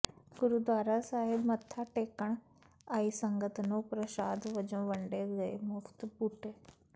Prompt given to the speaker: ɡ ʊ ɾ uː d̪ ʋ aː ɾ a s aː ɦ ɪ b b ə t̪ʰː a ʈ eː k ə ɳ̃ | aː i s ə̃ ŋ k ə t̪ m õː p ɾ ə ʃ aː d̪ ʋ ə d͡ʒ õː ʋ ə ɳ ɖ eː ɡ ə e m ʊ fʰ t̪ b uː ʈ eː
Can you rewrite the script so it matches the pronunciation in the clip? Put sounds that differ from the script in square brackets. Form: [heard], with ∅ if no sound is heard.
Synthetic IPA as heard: ɡ ʊ ɾ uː d̪ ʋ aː ɾ a s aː ɦ ɪ b [m] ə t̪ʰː a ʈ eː k ə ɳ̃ | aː i s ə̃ ŋ [ɡ] ə t̪ [n] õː p ɾ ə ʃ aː d̪ ʋ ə d͡ʒ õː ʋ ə ɳ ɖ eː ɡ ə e m ʊ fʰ t̪ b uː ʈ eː